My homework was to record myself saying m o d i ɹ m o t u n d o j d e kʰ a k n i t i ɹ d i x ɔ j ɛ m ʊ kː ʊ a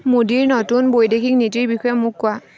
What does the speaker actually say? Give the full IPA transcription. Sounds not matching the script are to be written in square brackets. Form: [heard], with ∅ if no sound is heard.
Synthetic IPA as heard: m o d i ɹ [n] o t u n [b] o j d e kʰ [i] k n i t i ɹ [b] i x ɔ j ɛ m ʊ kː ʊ a